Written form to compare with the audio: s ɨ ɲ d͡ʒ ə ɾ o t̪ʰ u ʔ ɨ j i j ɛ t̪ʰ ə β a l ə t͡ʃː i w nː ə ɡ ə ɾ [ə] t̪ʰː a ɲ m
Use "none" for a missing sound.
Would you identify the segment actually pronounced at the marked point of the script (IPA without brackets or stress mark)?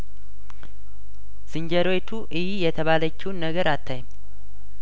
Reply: a